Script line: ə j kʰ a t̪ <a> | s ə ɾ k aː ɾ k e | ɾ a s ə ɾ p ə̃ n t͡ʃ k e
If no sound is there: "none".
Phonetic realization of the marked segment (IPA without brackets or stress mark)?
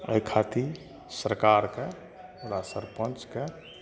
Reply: i